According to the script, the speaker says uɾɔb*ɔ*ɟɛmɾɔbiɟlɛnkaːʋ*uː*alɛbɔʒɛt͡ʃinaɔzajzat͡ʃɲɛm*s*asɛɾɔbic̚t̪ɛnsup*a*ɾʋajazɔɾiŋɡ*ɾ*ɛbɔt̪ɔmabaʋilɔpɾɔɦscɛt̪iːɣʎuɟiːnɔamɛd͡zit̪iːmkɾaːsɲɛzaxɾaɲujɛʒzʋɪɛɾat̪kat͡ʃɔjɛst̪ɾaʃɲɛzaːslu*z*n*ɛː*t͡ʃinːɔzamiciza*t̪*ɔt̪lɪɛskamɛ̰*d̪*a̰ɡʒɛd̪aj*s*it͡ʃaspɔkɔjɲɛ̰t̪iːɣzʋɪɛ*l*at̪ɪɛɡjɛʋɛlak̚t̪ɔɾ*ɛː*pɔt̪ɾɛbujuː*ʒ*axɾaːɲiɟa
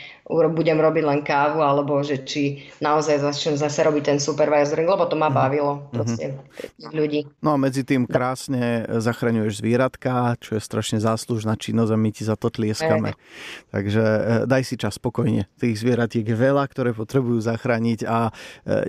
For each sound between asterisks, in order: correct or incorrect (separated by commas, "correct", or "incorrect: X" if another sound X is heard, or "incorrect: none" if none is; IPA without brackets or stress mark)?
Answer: incorrect: u, incorrect: u, incorrect: z, incorrect: ɛ, incorrect: l, incorrect: ʒ, incorrect: aː, correct, incorrect: t̪, correct, incorrect: ɾ, correct, incorrect: z